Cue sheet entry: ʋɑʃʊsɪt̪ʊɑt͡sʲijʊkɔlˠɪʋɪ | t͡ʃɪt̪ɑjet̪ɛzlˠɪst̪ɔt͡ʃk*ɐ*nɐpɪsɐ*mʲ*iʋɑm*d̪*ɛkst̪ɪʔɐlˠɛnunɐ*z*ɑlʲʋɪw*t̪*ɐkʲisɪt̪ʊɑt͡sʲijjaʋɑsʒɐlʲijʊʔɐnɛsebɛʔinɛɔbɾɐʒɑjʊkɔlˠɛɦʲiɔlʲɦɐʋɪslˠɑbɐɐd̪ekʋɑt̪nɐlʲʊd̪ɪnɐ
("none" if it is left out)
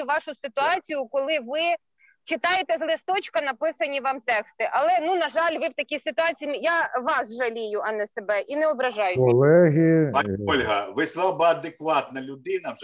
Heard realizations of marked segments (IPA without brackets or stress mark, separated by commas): ɐ, nʲ, t̪, ʒ, t̪